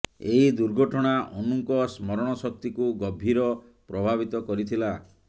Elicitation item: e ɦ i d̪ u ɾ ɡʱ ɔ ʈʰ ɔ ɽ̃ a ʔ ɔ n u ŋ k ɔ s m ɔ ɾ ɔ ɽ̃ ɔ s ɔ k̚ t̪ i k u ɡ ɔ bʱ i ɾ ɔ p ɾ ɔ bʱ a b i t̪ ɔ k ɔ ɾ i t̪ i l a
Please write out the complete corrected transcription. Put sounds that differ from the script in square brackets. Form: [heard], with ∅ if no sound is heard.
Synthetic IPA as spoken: e ɦ i d̪ u ɾ ɡʱ ɔ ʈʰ ɔ ɽ̃ a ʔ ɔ n u ŋ k ɔ s m ɔ ɾ ɔ ɽ̃ ɔ s ɔ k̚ t̪ i k u ɡ ɔ bʱ i ɾ ɔ p ɾ ɔ bʱ a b i t̪ ɔ k ɔ ɾ i [t̪ʰ] i l a